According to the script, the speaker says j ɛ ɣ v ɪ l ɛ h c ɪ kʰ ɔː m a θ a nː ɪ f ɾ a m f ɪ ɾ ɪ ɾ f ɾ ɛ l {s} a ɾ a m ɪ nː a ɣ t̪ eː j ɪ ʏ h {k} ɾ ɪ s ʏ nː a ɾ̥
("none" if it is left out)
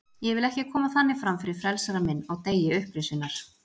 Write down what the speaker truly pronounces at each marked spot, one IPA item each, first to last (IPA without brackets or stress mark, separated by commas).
s, p